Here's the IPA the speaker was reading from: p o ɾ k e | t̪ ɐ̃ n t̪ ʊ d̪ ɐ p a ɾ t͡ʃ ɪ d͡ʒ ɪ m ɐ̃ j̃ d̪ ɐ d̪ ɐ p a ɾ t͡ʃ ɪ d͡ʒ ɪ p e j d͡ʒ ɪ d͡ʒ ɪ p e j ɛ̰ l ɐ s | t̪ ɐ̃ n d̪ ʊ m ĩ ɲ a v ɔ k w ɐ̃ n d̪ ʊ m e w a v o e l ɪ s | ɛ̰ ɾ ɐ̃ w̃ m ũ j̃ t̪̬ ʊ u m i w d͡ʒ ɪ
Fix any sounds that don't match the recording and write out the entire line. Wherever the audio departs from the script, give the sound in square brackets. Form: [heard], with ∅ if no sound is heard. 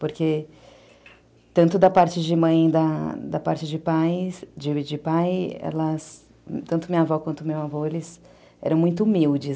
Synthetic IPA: p o ɾ k e | t̪ ɐ̃ n t̪ ʊ d̪ ɐ p a ɾ t͡ʃ ɪ d͡ʒ ɪ m ɐ̃ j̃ d̪ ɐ d̪ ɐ p a ɾ t͡ʃ ɪ d͡ʒ ɪ p [a] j d͡ʒ ɪ d͡ʒ ɪ p [a] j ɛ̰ l ɐ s | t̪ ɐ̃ n [t̪] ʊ m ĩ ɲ a v ɔ k w ɐ̃ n [t̪] ʊ m e w a v o e l ɪ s | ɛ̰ ɾ ɐ̃ w̃ m ũ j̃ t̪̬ ʊ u m i w d͡ʒ ɪ